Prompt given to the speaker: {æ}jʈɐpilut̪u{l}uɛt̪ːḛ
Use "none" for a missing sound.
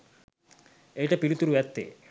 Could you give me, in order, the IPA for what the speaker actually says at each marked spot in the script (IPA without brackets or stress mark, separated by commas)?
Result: e, ɾ